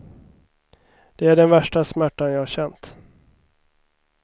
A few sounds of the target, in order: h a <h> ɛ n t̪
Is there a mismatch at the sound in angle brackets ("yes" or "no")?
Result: yes